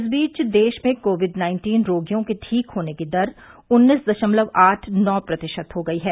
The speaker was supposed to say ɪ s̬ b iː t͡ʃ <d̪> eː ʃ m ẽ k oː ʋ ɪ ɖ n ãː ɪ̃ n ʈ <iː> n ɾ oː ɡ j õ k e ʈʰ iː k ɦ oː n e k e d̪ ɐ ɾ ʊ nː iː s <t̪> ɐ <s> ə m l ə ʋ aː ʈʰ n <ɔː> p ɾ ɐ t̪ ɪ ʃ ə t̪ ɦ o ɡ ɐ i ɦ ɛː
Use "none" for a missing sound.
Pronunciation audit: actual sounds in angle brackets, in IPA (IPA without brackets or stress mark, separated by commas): d̪, iː, d̪, ʃ, ɔː